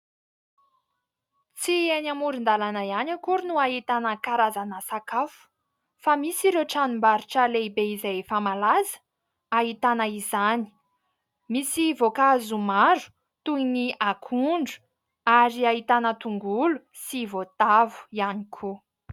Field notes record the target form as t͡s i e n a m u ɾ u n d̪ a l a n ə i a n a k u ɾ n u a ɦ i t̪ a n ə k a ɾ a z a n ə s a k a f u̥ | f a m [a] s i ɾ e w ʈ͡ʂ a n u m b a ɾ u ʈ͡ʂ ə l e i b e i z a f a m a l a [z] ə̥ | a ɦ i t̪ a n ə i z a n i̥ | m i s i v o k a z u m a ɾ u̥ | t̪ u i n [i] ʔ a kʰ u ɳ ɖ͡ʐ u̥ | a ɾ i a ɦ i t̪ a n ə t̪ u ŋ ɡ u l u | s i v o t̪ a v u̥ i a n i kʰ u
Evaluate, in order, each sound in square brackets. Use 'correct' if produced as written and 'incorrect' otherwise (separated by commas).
incorrect, correct, correct